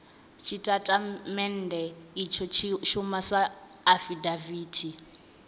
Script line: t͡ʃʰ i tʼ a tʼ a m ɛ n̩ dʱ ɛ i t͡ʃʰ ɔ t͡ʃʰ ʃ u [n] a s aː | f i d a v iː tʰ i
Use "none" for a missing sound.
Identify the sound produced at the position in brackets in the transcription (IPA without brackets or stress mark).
m